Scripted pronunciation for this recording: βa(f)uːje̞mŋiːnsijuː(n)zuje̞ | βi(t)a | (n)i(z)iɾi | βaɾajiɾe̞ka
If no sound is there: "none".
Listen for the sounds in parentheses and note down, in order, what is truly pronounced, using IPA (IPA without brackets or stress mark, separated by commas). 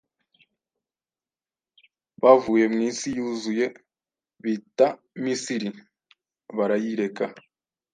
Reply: v, none, t, m, s